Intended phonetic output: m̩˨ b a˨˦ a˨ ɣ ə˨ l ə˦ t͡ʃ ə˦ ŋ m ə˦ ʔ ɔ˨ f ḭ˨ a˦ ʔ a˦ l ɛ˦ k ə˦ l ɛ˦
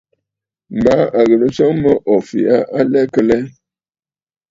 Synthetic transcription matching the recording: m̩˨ b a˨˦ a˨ ɣ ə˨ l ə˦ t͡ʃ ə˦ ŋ m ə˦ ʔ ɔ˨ f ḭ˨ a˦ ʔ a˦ l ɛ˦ k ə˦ l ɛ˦

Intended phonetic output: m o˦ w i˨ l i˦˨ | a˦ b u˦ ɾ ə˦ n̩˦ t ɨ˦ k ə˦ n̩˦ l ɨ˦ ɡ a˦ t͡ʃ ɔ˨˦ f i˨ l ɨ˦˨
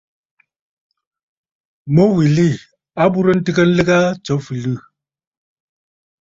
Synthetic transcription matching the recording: m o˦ w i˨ l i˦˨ | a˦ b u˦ ɾ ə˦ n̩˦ t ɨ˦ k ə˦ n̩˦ l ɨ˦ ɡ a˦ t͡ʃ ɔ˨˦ f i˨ l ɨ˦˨

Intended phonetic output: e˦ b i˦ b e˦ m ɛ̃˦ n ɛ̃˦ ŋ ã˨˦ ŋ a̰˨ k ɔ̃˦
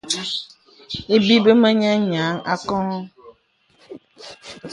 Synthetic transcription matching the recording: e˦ b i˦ b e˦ m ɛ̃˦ ɲ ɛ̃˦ ɲ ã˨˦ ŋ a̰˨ k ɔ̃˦

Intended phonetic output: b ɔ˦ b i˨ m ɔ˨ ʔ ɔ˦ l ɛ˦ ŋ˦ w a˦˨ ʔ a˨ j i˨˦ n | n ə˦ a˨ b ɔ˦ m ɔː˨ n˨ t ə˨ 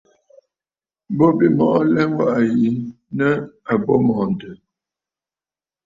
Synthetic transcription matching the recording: b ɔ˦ b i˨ m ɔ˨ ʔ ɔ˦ l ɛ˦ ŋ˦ w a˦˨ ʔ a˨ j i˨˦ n | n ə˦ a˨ b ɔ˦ m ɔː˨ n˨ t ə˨

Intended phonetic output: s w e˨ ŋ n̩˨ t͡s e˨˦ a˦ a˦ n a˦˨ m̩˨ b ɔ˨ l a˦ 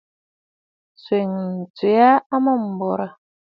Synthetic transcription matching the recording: s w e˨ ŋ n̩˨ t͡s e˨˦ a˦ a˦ m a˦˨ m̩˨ b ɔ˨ ɾ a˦

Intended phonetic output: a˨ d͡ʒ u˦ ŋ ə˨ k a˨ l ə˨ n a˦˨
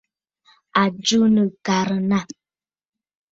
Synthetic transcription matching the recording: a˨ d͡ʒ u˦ n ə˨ k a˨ ɾ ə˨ n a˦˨

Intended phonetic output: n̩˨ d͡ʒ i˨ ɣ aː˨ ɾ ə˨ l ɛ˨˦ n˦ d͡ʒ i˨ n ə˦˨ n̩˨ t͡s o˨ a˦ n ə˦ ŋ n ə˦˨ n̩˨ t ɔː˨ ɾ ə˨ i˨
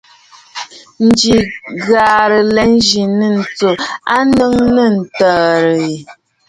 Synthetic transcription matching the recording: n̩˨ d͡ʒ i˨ ɣ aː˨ ɾ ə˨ l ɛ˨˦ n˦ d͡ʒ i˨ n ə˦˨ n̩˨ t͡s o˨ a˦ n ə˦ ŋ n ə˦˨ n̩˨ t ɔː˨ ɾ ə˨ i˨

